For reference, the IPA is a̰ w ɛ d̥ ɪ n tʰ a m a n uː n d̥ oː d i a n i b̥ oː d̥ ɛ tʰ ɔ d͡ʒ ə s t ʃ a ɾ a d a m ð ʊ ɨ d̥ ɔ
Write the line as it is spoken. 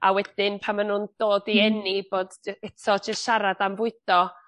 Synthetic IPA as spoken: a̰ w ɛ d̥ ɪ n pʰ a m a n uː n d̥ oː d i ɛ n i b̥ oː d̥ ɛ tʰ ɔ d͡ʒ ə s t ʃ a ɾ a d a m v ʊ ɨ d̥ ɔ